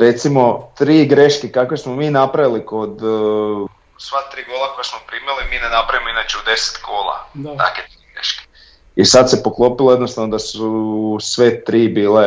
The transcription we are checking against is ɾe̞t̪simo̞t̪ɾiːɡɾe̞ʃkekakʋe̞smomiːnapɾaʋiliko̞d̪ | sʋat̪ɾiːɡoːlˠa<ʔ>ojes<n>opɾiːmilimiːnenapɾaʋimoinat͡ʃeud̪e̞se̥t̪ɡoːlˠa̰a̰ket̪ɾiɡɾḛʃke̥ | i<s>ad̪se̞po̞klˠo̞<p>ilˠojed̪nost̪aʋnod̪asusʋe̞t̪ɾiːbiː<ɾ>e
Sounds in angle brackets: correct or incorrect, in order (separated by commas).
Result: incorrect, incorrect, correct, correct, incorrect